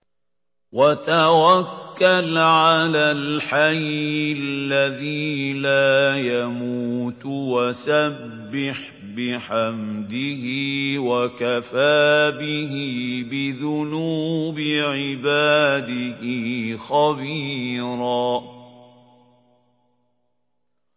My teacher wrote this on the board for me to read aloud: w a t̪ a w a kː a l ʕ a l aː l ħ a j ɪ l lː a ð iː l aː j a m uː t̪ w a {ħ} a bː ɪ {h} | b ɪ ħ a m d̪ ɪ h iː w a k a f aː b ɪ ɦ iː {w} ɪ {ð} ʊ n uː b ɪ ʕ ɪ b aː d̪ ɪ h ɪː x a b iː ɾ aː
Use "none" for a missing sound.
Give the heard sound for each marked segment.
s, ħ, b, ð

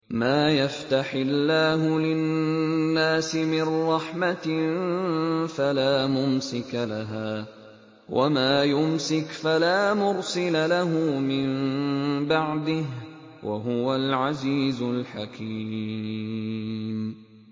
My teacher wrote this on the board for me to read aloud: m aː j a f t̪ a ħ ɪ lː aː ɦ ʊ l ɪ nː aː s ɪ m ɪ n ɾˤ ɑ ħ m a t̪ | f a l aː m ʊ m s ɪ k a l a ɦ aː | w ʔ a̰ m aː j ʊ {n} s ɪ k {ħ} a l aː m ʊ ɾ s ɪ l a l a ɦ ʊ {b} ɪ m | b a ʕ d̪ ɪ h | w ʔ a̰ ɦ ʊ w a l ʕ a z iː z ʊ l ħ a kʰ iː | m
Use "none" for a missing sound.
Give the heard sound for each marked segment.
m, f, m

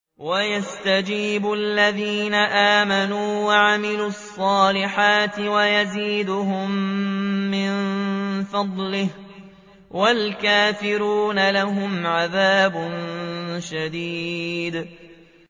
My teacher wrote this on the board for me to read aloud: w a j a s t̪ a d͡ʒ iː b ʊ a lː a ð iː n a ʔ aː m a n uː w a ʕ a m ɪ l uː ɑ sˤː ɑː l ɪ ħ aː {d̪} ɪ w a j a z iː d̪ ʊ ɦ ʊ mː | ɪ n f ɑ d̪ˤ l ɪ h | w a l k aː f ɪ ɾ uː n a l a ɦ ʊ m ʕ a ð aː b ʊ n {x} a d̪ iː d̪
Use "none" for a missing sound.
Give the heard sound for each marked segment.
t̪, ʃ

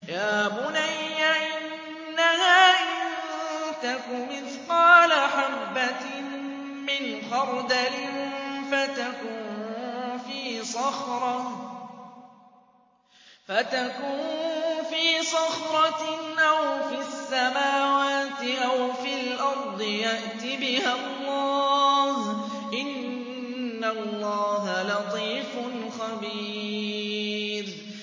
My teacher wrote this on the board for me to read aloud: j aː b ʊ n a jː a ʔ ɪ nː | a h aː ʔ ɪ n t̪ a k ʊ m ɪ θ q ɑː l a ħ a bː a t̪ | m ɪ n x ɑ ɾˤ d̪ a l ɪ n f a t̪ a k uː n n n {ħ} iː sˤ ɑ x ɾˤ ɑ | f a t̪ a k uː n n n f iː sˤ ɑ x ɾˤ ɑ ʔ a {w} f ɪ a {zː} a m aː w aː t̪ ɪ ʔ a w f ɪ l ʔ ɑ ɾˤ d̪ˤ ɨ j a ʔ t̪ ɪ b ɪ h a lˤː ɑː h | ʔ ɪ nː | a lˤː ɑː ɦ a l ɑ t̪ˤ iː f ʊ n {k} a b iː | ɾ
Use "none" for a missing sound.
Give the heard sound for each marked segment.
f, w, sː, x

